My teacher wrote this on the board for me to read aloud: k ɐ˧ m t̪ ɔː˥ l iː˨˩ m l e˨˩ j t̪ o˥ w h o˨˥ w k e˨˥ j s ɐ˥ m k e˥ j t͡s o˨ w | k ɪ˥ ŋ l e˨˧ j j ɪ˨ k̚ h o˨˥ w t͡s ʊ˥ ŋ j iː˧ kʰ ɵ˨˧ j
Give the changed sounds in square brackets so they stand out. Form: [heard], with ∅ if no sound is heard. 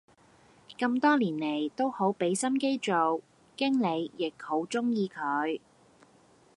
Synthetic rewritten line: k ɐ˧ m t̪ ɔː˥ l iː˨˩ [n] l e˨˩ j t̪ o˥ w h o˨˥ w [p] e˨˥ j s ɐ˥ m k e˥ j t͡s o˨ w | k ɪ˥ ŋ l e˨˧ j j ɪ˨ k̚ h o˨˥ w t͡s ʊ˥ ŋ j iː˧ kʰ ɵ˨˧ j